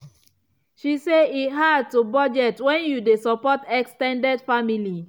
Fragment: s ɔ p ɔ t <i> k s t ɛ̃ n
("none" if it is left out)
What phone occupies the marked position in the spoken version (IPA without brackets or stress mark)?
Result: ɛ